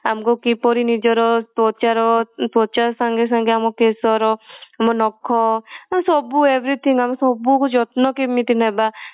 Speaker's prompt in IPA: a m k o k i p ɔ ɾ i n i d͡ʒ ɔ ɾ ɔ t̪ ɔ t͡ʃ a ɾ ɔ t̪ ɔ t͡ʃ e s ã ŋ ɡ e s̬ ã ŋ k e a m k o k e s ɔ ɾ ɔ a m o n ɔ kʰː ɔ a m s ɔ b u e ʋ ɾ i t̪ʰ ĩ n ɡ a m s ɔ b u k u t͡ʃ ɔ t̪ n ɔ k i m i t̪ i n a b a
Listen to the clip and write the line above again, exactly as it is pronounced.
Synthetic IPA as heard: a m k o k i p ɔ ɾ i n i d͡ʒ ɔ ɾ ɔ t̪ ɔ t͡ʃ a ɾ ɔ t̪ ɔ t͡ʃ a s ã ŋ ɡ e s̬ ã ŋ ɡ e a m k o k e s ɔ ɾ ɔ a m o n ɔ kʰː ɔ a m s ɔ b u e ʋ ɾ i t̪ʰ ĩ ŋ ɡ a m s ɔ b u k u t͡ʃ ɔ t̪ n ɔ k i m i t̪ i n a b a